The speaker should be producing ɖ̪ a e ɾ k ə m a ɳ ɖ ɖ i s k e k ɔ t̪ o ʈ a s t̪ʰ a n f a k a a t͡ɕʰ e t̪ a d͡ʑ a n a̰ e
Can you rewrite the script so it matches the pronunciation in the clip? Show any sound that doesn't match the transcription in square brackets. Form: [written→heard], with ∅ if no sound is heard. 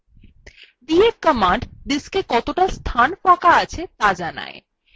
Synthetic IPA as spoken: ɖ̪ [a→i] e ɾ k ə m a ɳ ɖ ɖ i s k e k ɔ t̪ o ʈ a s t̪ʰ a n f a k a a t͡ɕʰ e t̪ a d͡ʑ a n a̰ e